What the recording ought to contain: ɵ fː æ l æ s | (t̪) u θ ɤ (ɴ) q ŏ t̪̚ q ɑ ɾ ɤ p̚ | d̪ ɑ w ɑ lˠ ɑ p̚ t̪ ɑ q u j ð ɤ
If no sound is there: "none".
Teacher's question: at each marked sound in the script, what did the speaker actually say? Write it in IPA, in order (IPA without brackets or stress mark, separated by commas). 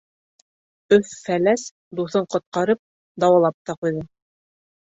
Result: d̪, ɴ